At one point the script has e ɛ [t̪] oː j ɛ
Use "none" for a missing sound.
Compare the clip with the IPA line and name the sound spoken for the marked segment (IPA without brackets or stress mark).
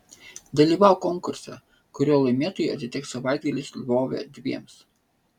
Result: t̪